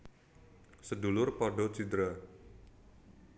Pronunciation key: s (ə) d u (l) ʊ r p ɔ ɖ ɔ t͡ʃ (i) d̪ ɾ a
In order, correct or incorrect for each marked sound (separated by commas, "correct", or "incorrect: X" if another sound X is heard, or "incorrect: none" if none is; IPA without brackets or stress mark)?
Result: correct, correct, correct